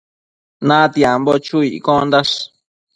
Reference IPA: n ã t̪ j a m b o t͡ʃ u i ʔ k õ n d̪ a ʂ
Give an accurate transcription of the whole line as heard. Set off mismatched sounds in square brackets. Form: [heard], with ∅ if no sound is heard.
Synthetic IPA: n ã t̪ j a m b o t͡ʃ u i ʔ k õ n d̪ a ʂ